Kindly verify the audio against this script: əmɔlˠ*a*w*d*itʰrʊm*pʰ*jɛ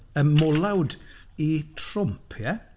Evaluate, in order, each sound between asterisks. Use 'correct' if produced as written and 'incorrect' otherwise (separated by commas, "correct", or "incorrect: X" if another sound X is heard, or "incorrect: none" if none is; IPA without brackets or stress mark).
correct, correct, correct